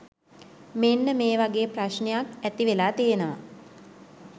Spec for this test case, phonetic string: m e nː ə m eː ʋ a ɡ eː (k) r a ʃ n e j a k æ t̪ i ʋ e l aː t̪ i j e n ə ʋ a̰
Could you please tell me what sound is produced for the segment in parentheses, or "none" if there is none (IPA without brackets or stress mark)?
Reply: p